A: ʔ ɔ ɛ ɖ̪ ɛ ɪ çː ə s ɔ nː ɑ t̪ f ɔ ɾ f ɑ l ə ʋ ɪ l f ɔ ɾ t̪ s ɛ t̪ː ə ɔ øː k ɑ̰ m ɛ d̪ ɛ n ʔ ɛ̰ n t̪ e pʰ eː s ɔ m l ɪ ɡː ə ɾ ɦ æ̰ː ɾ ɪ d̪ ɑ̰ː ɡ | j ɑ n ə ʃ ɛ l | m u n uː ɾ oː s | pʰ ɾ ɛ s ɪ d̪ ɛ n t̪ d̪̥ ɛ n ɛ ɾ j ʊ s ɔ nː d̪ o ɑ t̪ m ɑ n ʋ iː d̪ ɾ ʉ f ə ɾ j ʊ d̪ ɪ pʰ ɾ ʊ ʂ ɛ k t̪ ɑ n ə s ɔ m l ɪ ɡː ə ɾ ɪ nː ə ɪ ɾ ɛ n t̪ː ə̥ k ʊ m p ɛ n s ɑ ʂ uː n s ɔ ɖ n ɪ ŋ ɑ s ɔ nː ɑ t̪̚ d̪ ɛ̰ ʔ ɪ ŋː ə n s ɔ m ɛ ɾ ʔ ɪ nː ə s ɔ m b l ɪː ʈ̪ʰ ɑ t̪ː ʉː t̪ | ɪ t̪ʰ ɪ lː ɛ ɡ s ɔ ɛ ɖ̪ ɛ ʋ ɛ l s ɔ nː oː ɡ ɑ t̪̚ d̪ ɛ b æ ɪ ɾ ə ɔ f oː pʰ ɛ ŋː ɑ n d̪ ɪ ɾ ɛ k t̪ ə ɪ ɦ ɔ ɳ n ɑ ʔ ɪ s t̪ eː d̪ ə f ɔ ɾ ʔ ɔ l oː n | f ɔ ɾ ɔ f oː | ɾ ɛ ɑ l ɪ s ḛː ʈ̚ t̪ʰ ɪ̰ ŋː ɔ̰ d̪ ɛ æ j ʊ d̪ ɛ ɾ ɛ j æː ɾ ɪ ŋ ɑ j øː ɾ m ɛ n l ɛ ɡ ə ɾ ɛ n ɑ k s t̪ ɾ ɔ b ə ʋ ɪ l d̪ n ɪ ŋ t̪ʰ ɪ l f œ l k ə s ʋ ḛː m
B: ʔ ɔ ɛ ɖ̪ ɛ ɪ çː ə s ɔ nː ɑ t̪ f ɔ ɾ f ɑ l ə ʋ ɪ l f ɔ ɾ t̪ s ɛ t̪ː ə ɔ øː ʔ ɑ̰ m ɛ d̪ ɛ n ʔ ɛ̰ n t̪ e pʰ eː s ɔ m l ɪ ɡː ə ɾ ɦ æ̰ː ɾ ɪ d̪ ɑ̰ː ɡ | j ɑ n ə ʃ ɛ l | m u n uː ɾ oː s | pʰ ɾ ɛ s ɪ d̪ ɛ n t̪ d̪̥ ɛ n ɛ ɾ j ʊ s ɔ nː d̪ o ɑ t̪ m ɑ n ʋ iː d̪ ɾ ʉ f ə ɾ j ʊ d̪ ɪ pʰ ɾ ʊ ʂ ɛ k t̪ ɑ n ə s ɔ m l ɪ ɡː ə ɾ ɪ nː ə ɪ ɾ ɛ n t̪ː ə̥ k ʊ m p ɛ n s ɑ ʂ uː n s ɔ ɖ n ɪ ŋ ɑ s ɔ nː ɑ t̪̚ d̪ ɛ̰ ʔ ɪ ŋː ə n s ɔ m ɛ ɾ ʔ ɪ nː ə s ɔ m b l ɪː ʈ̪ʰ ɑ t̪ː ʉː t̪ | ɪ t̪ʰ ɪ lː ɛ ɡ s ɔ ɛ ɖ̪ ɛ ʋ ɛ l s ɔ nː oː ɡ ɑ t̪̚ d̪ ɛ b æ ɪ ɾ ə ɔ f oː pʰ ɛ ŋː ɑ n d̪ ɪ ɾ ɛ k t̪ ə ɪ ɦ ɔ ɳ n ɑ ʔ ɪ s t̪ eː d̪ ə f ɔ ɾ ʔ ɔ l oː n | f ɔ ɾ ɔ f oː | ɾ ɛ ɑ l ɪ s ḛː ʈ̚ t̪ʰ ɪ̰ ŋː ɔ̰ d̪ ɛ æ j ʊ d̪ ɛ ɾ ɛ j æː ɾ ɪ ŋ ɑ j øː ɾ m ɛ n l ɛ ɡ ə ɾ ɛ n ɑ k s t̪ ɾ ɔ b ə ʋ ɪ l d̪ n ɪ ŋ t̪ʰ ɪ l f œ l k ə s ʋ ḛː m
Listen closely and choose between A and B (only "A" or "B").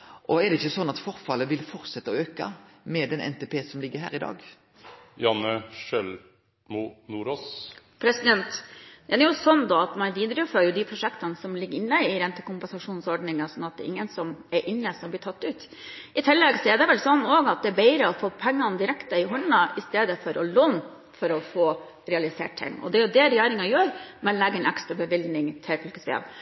A